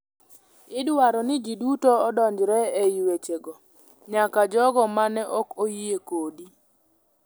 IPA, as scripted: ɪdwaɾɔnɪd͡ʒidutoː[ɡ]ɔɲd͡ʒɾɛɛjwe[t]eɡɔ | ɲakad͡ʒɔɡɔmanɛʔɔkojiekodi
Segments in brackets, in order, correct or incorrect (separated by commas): incorrect, incorrect